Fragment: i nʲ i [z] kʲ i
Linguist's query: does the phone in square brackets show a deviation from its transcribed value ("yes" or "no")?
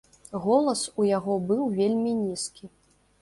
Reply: yes